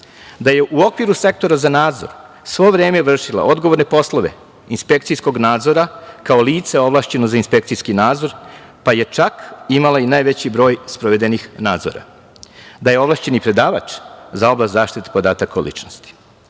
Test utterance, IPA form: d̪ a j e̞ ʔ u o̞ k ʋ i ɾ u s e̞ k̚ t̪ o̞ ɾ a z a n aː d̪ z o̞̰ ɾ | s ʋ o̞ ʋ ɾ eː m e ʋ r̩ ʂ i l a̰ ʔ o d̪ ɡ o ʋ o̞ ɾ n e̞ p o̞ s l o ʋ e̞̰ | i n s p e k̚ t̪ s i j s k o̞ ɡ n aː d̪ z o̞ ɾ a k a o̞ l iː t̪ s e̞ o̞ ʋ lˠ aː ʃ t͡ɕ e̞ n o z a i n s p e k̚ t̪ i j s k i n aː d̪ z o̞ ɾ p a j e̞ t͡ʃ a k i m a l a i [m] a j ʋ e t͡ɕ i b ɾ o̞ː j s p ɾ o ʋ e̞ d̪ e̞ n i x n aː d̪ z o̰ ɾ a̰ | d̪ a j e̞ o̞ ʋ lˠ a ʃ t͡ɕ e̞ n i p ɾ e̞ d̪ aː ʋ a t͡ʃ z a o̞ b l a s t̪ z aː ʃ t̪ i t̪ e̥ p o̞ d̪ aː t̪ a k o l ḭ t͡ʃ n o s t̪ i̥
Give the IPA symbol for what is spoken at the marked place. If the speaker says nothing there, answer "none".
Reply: n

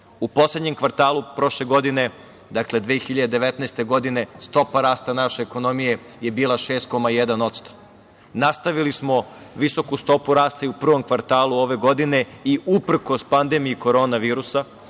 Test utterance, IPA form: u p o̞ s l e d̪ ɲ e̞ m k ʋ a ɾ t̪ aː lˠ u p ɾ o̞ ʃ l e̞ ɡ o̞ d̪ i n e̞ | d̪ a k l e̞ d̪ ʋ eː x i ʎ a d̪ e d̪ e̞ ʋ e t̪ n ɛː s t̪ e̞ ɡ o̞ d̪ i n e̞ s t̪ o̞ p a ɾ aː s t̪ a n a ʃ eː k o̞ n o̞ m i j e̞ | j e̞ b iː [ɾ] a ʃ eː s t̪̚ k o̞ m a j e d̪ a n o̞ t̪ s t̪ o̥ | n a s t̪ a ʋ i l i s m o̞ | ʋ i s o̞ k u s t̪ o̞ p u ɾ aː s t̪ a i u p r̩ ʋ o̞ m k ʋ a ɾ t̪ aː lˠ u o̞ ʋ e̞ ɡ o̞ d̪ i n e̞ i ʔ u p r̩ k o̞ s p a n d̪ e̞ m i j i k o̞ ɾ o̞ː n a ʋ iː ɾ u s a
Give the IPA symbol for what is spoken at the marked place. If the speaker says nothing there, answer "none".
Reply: l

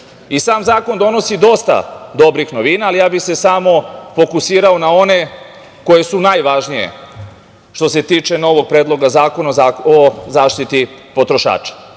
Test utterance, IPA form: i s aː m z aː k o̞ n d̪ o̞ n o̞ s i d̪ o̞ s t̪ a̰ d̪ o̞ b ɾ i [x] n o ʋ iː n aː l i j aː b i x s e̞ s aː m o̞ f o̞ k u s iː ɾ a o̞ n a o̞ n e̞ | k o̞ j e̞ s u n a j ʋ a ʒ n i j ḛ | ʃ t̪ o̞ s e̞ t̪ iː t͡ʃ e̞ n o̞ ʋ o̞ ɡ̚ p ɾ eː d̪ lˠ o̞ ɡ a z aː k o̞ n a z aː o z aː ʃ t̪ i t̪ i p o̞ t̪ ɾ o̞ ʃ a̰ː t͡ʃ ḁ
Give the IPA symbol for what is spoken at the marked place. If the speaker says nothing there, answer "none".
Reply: x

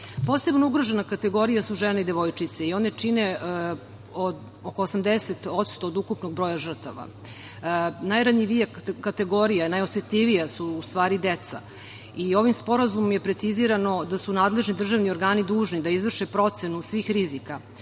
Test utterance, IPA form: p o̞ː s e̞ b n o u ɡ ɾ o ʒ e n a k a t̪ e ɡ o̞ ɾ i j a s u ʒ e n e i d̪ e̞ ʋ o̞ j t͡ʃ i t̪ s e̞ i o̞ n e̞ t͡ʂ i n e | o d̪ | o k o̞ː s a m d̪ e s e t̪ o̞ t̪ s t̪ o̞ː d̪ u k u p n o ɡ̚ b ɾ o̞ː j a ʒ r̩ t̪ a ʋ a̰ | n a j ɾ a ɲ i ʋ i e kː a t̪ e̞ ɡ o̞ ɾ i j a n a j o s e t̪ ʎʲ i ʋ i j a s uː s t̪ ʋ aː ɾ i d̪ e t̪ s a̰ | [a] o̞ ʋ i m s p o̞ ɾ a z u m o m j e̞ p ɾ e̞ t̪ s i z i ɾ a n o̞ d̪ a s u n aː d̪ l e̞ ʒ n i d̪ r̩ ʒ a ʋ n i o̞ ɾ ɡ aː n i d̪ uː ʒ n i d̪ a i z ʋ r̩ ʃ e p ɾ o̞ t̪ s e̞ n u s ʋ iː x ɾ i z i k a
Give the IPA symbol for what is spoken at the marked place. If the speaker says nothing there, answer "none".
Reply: i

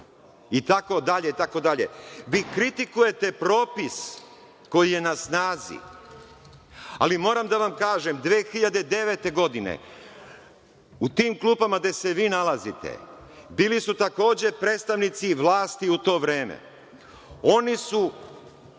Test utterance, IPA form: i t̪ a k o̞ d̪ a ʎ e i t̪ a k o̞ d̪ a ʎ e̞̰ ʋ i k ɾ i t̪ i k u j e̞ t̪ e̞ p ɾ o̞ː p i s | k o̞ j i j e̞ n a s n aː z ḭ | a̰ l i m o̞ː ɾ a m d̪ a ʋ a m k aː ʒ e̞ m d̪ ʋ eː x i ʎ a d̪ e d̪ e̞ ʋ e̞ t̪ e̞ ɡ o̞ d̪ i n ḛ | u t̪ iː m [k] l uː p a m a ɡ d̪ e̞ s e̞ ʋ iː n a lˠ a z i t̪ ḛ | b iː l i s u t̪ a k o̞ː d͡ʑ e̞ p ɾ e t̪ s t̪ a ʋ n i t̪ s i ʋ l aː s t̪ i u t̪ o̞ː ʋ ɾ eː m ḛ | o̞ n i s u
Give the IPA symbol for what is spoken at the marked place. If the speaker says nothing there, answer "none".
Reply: k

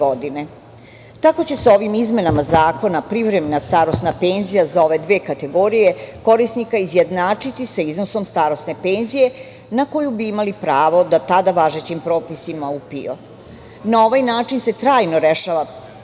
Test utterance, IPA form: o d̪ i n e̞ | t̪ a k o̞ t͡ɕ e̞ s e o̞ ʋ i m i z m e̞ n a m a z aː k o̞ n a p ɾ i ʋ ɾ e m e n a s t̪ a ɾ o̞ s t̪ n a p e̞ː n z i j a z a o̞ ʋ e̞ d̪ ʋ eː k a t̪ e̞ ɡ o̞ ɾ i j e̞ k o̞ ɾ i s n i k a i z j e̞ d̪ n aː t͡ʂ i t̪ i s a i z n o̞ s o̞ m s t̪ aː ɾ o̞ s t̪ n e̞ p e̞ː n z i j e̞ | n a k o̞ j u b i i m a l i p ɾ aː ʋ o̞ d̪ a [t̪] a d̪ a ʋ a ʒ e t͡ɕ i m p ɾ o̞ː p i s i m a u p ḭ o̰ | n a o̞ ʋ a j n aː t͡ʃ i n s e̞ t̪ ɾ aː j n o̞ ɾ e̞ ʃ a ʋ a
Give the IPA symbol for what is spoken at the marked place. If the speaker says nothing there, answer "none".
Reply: t̪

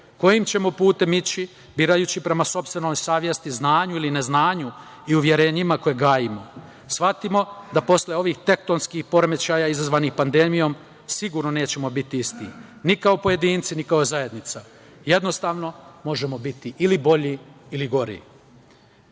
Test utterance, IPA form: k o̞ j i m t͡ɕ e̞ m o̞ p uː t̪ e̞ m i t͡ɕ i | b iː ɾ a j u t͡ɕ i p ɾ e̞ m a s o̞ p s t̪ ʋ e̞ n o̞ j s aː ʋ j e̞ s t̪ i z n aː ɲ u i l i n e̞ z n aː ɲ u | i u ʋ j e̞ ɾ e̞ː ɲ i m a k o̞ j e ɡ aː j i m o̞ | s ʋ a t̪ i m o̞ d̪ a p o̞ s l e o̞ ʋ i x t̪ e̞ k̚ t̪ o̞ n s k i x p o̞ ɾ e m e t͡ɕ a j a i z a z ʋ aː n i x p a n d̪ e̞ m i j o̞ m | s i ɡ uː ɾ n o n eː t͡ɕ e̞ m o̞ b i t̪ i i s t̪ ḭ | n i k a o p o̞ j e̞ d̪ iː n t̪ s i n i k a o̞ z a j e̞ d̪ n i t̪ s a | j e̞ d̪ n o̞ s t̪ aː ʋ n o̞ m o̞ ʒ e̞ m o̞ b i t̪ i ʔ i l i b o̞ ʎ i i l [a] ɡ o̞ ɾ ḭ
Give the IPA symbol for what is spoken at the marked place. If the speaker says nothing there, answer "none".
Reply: i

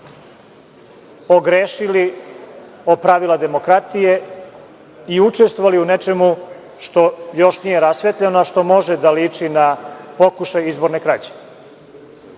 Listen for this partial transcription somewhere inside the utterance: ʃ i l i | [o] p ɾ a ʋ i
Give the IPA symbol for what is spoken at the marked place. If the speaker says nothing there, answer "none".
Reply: o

